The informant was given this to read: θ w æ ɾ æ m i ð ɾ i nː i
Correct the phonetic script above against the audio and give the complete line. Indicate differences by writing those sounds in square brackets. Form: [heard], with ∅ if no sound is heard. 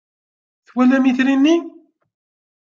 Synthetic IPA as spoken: θ w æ [l] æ m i [θ] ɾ i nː i